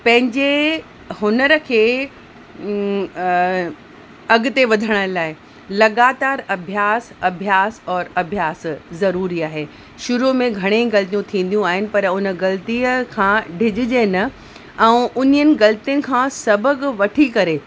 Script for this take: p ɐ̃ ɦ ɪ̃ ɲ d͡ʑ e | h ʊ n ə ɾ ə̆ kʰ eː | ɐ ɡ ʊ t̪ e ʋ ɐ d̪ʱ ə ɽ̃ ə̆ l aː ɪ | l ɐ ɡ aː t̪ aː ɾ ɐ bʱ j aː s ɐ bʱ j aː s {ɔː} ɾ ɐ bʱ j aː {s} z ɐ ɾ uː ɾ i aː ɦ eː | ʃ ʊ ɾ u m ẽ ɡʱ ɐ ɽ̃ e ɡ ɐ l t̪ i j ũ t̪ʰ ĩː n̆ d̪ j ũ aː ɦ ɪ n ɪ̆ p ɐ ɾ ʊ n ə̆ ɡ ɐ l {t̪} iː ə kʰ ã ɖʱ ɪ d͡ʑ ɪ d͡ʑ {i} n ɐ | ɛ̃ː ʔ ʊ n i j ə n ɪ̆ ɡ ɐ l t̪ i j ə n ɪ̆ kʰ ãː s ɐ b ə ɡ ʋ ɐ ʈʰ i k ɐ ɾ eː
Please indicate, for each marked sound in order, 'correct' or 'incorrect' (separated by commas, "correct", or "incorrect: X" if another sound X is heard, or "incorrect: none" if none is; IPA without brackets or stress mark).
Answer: correct, correct, correct, incorrect: e